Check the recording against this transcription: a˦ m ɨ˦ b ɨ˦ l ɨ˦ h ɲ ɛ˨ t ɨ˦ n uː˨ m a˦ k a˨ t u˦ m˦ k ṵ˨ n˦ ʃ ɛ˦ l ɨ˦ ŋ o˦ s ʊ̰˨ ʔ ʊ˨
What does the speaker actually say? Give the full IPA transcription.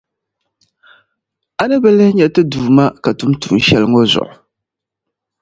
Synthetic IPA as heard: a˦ n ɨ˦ b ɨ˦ l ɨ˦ h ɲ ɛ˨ t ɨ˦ d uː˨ m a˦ k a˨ t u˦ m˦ t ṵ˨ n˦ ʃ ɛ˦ l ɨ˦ ŋ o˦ z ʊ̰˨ ʔ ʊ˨